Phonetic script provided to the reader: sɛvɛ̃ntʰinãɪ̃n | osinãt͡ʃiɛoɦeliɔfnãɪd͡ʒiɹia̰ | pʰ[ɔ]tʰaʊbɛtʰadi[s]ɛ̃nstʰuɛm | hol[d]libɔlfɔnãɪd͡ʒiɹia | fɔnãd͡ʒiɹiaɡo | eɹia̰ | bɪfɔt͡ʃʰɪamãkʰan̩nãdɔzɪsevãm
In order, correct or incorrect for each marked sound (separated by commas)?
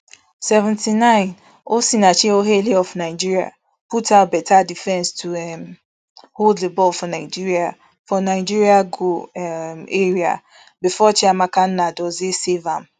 incorrect, incorrect, correct